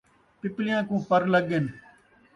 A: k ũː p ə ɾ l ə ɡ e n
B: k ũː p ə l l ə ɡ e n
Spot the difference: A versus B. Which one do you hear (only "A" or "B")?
A